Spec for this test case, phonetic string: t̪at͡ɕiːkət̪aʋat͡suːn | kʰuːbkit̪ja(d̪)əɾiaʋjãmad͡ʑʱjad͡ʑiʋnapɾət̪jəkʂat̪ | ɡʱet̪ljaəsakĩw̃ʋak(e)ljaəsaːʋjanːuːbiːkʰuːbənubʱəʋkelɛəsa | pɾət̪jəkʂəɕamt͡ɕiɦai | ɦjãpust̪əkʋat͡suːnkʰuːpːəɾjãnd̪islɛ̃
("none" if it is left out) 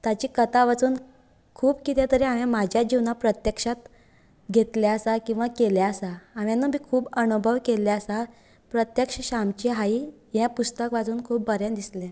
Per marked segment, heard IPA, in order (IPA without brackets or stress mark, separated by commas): t̪, e